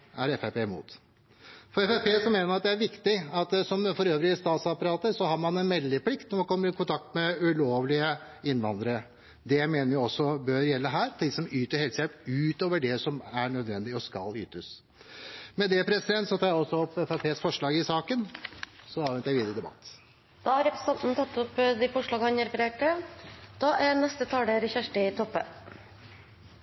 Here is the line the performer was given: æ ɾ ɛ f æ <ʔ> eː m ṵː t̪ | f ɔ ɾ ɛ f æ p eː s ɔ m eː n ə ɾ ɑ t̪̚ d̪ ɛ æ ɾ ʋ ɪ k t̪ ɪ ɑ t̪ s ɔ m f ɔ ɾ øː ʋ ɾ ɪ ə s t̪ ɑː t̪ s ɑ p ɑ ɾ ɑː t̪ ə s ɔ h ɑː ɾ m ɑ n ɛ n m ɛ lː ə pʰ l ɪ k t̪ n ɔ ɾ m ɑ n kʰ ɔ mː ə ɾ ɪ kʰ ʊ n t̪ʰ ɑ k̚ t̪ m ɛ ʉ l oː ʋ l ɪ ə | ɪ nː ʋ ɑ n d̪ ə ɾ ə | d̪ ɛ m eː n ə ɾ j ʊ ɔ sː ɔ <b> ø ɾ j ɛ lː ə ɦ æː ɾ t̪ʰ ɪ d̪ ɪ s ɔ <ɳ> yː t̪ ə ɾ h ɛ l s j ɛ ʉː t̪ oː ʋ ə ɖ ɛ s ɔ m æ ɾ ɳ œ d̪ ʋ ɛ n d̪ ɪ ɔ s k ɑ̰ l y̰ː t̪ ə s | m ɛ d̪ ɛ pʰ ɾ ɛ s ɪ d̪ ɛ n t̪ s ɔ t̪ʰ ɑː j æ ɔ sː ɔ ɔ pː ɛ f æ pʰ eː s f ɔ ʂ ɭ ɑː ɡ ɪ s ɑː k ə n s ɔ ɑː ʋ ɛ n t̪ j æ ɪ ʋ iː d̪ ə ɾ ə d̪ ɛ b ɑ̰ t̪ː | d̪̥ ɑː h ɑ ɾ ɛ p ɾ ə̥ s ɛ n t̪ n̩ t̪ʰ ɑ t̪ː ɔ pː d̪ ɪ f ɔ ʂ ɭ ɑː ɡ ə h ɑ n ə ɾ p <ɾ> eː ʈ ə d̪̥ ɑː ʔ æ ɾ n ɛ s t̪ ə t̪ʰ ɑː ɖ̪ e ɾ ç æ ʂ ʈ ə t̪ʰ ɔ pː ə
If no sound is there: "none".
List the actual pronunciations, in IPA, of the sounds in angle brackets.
p, b, m, ɾ

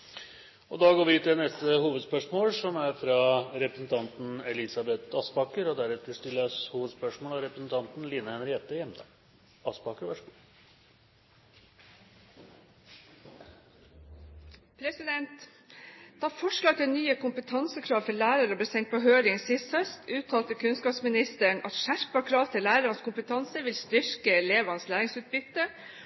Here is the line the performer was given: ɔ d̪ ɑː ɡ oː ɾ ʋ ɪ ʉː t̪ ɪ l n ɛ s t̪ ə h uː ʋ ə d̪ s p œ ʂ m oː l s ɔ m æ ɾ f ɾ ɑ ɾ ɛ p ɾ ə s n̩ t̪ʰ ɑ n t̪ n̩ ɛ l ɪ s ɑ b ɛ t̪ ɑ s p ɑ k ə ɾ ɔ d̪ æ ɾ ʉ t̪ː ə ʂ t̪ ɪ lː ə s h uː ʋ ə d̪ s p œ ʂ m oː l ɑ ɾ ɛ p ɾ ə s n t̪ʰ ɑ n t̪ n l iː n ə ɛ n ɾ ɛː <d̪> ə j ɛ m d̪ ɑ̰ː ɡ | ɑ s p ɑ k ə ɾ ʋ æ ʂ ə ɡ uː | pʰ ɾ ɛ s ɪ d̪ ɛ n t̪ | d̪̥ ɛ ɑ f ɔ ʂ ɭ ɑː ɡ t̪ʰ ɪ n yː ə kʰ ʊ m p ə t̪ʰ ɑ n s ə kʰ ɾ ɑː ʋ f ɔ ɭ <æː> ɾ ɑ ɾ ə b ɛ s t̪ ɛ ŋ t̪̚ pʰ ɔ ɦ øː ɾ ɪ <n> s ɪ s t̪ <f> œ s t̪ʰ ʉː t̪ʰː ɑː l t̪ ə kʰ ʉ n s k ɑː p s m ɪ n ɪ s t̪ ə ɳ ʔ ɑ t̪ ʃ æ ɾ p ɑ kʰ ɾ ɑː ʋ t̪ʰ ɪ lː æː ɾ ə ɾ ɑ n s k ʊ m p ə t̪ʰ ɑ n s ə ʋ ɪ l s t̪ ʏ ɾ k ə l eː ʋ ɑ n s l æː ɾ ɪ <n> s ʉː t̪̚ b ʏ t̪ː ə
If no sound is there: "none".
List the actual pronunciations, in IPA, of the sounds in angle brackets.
t̪, æː, ŋ, h, ŋ

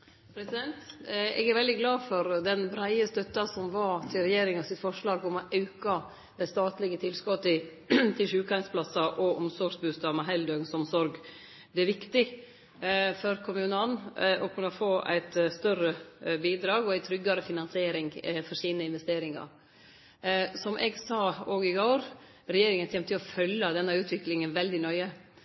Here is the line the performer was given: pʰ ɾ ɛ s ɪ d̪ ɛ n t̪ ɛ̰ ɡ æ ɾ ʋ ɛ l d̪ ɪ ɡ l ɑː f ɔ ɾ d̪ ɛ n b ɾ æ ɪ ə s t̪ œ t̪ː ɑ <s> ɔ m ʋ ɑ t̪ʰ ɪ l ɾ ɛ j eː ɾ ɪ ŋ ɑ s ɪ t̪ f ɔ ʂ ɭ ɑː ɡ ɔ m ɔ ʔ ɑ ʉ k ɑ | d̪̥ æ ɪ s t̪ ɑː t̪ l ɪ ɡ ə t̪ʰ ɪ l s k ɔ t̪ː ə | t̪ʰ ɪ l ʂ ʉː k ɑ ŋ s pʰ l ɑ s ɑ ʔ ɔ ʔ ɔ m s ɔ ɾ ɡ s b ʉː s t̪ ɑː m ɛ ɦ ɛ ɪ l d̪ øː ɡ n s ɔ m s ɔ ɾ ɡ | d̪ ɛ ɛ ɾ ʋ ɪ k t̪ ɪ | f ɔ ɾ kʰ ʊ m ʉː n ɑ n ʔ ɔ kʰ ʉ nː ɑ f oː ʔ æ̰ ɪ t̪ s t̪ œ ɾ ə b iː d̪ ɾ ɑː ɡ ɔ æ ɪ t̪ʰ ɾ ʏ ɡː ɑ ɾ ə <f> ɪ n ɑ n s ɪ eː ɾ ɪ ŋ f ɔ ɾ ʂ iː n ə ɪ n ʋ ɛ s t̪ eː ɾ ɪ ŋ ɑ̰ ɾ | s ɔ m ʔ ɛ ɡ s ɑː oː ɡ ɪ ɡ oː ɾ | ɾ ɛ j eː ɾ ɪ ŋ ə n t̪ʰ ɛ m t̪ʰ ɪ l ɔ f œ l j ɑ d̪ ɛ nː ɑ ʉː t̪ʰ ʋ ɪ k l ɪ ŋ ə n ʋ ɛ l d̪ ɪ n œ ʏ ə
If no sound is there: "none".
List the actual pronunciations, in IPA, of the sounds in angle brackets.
s, f

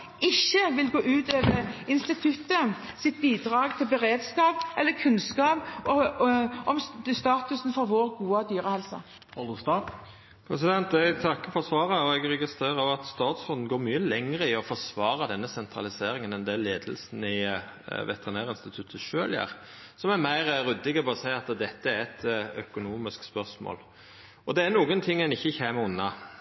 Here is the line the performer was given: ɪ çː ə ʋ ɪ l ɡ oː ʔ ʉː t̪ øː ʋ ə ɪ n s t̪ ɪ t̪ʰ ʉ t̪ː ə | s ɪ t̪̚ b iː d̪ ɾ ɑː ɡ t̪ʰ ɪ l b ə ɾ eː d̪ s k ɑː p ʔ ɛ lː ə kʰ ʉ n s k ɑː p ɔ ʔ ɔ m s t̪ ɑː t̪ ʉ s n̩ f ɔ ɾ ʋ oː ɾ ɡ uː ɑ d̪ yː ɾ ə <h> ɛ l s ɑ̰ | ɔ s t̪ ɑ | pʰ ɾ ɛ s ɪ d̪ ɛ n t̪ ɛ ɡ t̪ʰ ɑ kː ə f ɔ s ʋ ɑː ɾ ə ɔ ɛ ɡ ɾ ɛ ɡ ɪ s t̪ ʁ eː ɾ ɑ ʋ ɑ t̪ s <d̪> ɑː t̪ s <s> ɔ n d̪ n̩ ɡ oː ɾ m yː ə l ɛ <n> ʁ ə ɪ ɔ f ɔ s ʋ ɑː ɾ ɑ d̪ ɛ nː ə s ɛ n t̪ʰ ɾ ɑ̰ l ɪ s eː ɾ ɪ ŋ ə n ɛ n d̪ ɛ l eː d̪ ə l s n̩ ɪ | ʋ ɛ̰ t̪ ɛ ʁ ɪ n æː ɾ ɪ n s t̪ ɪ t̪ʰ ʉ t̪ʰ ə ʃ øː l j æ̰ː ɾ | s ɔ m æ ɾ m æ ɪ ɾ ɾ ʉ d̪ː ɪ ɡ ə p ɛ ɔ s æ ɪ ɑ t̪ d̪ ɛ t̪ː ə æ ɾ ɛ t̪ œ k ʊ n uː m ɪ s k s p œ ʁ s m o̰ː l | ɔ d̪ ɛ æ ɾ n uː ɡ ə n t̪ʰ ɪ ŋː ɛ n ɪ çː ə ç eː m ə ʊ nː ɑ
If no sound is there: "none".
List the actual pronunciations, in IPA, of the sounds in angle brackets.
h, t̪, f, ŋ

